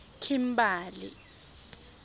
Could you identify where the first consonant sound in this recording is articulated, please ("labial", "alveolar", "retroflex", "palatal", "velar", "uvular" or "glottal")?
velar